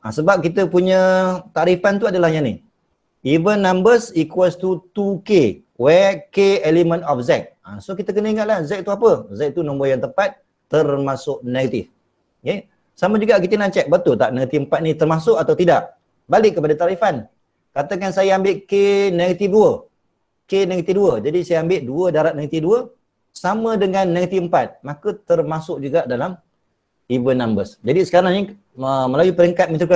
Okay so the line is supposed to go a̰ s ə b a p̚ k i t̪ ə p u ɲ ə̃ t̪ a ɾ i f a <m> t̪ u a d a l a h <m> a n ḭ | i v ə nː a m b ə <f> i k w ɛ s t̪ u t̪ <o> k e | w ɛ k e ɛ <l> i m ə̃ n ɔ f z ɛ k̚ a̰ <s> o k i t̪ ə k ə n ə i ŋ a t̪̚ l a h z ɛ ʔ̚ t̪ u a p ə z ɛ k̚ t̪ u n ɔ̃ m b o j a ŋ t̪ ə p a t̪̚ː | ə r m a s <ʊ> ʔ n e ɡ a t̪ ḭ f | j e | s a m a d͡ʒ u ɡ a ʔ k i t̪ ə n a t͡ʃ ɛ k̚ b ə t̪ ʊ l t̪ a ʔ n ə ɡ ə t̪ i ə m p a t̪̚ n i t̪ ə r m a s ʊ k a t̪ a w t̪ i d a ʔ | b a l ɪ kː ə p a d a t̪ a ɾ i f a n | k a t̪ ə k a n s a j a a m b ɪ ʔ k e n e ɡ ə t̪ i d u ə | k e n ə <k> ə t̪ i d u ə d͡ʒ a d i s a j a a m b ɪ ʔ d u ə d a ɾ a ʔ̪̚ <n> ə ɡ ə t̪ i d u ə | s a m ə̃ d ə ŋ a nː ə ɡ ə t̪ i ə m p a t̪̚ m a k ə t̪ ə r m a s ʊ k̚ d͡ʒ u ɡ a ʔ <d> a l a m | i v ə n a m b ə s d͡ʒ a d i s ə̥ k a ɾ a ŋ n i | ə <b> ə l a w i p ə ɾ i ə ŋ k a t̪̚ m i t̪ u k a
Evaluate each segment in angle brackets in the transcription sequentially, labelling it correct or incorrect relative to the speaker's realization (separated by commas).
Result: incorrect, incorrect, incorrect, incorrect, correct, correct, correct, incorrect, correct, correct, incorrect